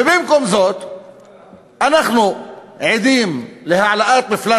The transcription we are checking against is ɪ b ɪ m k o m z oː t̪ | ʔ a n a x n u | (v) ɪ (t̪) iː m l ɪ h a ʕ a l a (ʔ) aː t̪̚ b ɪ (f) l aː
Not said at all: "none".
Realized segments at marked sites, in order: ʕ, d̪, ʔ, f

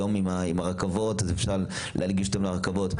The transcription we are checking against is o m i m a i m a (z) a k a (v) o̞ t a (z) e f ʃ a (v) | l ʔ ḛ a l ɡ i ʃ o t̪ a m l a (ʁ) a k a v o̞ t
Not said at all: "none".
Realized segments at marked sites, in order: ʁ, v, z, ʁ, ʁ

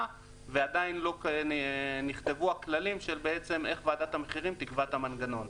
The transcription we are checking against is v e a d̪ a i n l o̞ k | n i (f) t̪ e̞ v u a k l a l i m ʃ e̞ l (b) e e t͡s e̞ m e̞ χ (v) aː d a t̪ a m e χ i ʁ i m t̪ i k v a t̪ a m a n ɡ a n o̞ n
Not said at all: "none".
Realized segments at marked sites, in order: χ, b, v

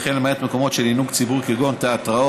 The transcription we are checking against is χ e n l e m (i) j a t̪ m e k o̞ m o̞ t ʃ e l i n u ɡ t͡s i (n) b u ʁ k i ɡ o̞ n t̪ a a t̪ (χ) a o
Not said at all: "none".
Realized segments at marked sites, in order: a, none, ʁ

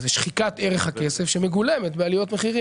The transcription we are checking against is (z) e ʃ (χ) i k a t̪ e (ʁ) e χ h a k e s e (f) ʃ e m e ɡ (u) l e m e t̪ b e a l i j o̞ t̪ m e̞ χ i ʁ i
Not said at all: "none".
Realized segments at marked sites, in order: z, χ, ʁ, f, u

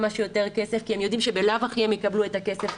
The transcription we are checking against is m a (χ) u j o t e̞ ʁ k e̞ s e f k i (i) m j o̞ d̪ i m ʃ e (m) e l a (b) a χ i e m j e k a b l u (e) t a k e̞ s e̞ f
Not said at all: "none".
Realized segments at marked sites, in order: ʃ, e, b, v, e

